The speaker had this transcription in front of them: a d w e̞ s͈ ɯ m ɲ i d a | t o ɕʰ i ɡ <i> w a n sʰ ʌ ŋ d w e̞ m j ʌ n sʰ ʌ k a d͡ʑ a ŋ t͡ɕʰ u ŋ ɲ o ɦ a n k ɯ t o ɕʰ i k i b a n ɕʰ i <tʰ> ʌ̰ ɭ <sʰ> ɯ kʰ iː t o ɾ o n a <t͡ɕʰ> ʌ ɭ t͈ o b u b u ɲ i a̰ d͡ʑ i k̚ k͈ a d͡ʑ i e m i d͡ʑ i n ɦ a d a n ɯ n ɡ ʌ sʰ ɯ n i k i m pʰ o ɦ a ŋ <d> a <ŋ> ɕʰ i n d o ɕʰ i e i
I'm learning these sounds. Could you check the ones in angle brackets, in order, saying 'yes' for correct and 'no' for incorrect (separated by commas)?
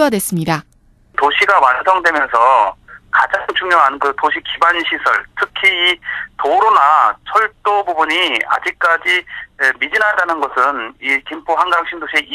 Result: no, no, no, yes, no, yes